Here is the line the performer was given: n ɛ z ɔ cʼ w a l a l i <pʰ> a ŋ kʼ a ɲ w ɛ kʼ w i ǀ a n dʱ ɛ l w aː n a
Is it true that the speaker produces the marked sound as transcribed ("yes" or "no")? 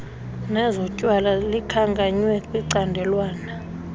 no